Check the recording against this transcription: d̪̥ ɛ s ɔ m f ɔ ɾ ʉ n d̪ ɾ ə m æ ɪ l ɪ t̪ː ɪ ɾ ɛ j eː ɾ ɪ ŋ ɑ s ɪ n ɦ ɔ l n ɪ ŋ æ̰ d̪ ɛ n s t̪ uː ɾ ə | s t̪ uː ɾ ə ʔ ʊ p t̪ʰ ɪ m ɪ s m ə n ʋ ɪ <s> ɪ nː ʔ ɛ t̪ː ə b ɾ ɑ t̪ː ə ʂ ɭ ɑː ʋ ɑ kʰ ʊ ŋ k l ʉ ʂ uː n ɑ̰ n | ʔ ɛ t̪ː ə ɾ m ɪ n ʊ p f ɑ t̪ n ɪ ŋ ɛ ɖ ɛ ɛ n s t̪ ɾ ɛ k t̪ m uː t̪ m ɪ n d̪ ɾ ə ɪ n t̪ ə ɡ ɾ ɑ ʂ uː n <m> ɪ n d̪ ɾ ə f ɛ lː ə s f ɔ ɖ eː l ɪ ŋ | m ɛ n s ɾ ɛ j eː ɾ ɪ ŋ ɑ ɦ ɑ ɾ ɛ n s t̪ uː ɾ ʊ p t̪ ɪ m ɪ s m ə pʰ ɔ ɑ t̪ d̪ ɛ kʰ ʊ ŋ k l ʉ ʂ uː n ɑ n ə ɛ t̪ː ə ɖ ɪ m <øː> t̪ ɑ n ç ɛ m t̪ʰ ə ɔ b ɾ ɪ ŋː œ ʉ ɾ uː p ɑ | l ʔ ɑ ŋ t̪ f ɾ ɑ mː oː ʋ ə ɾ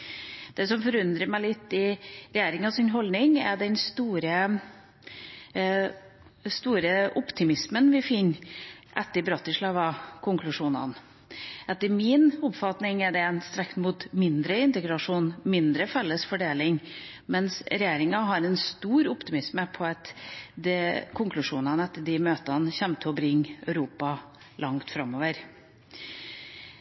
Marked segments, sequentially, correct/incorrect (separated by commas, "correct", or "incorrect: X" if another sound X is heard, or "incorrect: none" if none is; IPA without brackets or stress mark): incorrect: f, correct, correct